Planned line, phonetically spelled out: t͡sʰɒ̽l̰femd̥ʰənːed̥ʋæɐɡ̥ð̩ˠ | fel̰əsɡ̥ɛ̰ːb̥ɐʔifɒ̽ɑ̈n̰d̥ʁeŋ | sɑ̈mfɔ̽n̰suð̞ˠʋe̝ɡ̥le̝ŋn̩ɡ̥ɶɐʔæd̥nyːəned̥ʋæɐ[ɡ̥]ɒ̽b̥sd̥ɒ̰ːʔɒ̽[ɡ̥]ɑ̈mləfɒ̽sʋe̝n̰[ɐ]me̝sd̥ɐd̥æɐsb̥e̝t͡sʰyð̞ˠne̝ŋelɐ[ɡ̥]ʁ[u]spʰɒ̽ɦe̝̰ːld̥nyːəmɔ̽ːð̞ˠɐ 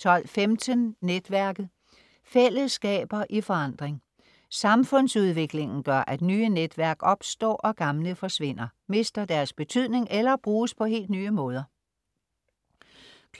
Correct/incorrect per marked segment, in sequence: correct, correct, correct, incorrect: b̥, incorrect: uː

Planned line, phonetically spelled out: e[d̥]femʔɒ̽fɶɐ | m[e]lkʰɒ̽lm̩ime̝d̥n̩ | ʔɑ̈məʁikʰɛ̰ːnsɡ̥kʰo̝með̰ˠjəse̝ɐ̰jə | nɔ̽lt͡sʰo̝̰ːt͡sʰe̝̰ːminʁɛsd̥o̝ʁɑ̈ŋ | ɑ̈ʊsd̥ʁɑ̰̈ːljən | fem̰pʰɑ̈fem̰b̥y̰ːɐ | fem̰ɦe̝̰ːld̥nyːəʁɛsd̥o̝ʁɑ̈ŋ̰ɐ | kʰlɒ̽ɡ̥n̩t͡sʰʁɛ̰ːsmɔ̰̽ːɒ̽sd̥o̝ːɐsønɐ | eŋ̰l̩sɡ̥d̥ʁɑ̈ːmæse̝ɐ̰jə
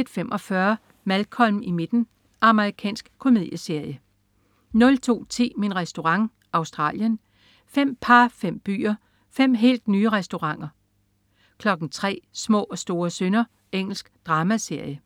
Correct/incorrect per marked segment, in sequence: correct, incorrect: æ

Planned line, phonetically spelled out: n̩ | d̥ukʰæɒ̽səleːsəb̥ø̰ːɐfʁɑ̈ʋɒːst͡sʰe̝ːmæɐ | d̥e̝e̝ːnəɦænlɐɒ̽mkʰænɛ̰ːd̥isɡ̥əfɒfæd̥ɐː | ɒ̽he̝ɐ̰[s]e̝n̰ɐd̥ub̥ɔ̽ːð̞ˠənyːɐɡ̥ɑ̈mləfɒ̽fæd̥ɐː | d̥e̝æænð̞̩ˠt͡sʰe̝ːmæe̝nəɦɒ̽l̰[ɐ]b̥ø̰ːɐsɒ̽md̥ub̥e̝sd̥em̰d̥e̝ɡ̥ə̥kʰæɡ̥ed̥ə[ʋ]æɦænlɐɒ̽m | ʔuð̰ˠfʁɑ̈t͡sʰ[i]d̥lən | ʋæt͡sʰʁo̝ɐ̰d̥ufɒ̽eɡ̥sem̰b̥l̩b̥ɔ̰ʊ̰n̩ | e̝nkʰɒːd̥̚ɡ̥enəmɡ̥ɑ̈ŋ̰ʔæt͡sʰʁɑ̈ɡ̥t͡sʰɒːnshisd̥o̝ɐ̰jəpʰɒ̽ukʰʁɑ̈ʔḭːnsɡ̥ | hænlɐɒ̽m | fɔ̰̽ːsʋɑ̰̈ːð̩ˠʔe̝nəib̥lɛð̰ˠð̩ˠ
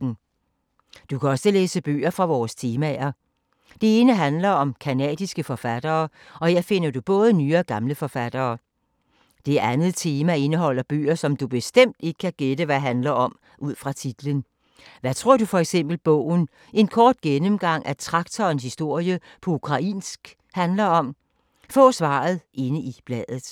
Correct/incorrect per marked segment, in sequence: incorrect: f, correct, correct, correct

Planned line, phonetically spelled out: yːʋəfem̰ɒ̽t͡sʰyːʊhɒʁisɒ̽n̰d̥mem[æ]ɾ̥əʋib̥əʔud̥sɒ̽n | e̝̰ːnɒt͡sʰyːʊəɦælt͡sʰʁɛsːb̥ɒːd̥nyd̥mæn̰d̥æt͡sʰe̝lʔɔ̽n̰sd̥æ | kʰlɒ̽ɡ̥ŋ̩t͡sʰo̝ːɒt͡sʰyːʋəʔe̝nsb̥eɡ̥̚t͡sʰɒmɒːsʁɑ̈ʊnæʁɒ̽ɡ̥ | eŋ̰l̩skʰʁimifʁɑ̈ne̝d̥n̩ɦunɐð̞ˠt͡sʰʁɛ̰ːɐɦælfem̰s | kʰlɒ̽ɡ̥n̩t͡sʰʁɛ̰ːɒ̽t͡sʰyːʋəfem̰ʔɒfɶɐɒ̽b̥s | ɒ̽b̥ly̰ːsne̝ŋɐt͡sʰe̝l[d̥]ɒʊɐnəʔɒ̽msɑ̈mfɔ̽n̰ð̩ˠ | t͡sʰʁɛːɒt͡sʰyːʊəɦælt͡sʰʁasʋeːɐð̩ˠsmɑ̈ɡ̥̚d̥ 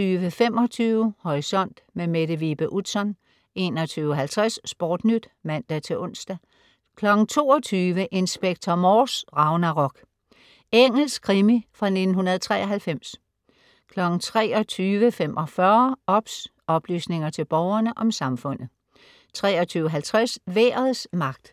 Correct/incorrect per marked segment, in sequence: incorrect: e, incorrect: b̥

